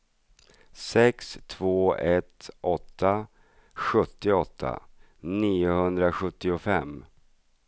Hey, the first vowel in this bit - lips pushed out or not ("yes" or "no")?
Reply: no